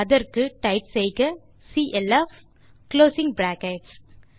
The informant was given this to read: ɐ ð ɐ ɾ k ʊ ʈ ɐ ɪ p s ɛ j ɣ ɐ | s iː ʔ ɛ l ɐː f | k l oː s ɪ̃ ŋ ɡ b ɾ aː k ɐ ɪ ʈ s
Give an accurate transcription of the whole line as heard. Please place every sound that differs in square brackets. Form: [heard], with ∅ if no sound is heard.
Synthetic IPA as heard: ɐ ð ɐ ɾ k [ɯ] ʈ ɐ ɪ p s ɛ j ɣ ɐ | s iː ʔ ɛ l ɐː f | k l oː s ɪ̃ ŋ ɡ b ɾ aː k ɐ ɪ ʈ s